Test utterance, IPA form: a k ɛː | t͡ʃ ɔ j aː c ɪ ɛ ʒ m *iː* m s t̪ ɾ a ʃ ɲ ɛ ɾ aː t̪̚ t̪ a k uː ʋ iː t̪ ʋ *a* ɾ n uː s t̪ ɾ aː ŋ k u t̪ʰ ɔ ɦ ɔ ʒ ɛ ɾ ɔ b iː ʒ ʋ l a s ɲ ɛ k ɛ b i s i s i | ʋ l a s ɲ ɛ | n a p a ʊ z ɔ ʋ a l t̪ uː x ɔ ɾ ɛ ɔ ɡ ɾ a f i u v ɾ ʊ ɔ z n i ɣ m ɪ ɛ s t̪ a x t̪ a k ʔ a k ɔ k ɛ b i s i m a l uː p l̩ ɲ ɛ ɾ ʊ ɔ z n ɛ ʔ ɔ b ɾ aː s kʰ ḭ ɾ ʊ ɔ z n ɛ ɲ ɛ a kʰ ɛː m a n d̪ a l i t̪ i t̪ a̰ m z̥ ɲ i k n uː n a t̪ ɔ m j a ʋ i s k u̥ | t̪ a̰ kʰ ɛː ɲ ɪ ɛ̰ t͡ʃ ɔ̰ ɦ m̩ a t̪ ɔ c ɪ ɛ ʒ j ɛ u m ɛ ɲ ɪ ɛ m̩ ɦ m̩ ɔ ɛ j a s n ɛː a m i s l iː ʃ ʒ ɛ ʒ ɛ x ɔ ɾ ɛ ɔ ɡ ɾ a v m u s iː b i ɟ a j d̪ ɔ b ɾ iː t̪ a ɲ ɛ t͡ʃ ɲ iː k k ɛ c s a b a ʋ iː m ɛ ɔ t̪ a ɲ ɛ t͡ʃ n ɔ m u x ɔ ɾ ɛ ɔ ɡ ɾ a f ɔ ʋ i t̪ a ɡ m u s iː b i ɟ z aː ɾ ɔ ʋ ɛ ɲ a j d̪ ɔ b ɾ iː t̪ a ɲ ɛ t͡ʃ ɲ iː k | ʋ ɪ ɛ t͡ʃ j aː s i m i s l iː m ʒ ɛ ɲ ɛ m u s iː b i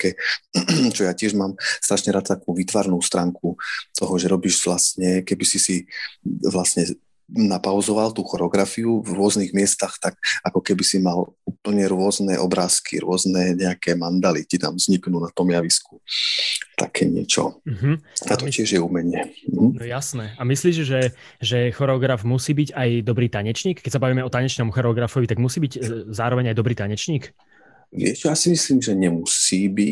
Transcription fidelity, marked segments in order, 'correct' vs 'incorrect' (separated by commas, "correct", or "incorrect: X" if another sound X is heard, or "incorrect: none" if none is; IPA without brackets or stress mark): incorrect: aː, correct